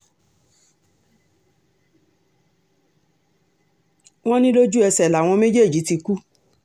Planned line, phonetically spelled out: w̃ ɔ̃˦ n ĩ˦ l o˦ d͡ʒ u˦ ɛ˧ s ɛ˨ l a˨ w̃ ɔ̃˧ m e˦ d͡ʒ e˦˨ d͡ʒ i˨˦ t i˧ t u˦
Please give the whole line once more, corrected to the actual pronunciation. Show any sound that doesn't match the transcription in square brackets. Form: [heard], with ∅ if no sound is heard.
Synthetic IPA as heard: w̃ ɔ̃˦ n ĩ˦ l o˦ d͡ʒ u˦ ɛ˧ s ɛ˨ l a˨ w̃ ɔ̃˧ m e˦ d͡ʒ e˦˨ d͡ʒ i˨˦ t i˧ [k] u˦